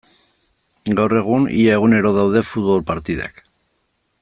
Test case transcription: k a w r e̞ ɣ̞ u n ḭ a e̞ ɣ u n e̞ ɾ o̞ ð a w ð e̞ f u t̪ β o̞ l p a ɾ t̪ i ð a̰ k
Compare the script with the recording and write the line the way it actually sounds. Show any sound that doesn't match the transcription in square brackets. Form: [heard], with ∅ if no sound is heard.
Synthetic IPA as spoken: [ɡ] a w r e̞ ɣ̞ u n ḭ a e̞ ɣ u n e̞ ɾ o̞ ð a w ð e̞ f u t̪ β o̞ l p a ɾ t̪ i ð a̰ k